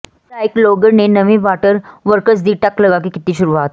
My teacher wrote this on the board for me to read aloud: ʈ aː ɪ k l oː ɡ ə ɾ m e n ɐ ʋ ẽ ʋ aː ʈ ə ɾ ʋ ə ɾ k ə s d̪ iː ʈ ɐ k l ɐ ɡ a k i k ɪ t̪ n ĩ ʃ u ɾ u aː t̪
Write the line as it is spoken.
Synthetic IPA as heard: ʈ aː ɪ k l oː ɡ ə ɾ n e n ɐ ʋ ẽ ʋ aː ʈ ə ɾ ʋ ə ɾ k ə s d̪ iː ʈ ɐ k l ɐ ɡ a k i k ɪ t̪ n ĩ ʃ ʊ ɾ u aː t̪